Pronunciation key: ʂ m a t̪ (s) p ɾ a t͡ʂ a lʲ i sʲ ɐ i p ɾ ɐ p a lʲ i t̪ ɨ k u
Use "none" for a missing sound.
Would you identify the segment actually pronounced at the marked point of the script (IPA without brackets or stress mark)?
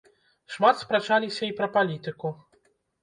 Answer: s